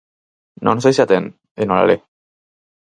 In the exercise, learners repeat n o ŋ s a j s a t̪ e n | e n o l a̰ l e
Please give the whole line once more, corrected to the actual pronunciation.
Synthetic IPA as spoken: n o n s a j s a t̪ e n | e n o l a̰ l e